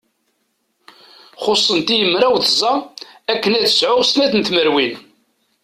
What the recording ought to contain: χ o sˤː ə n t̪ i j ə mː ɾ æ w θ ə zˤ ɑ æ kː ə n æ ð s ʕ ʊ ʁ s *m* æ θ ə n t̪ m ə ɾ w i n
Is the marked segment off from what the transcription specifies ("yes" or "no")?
yes